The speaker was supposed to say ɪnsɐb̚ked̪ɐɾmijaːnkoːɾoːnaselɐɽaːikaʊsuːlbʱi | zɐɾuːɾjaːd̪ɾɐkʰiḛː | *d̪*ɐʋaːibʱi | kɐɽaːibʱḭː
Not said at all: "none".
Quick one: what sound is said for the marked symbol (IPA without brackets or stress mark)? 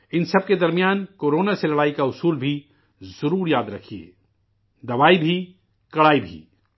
d̪